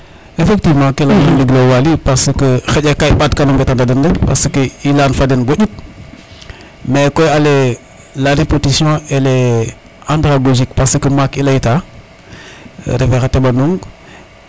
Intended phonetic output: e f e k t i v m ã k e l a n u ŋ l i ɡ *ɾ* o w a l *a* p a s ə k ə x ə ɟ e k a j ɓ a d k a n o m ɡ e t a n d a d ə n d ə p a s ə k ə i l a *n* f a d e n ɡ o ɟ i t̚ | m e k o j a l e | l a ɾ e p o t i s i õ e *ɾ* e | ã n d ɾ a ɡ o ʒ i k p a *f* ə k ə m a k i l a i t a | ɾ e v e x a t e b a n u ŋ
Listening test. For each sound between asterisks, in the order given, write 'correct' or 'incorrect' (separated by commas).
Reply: incorrect, incorrect, correct, incorrect, incorrect